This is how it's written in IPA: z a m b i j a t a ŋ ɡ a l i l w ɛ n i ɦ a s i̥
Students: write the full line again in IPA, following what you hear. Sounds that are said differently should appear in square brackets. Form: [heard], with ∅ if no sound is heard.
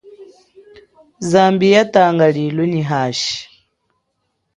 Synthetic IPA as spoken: z a m b i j a t a ŋ ɡ a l i l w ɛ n i ɦ a [ʃ] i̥